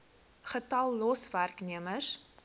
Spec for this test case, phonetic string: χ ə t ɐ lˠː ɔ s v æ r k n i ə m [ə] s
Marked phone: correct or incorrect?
correct